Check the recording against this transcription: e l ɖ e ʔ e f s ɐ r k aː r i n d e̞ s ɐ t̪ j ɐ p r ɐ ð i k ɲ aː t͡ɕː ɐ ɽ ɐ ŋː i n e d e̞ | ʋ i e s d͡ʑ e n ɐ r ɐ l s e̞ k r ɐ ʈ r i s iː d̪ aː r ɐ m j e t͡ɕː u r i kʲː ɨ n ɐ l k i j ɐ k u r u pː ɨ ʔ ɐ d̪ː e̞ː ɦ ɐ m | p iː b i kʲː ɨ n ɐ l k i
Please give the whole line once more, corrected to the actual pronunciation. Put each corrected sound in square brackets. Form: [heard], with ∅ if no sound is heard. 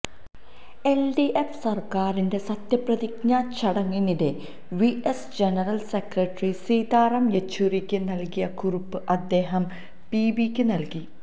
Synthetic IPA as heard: e l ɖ [i] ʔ e f s ɐ r k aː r i n d e̞ s ɐ t̪ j ɐ p r ɐ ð i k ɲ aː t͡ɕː ɐ ɽ ɐ ŋː i n [i] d e̞ | ʋ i e s d͡ʑ e n ɐ r ɐ l s e̞ k r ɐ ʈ r i s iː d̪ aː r ɐ m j e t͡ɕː u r i kʲː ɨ n ɐ l k i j ɐ k u r u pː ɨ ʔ ɐ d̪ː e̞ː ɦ ɐ m | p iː b i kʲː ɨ n ɐ l k i